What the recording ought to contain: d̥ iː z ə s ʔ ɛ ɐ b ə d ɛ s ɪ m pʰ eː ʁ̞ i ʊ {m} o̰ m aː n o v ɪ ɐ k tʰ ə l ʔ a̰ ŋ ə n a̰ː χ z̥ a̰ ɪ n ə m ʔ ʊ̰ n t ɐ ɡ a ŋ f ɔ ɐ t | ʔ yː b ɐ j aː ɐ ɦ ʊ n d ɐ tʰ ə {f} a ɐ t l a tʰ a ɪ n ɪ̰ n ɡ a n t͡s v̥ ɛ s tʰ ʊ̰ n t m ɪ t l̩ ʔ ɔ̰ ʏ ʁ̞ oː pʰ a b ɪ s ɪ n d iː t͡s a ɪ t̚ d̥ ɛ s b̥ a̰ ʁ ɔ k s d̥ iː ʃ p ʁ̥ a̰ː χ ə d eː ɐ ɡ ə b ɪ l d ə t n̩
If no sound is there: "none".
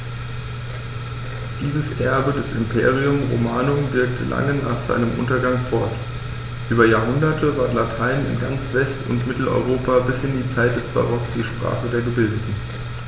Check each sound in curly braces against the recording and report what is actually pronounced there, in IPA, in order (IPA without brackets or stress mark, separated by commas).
m, v